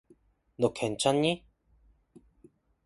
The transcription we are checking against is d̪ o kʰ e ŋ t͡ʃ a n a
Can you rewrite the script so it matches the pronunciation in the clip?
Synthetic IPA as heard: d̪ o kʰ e n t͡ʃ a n i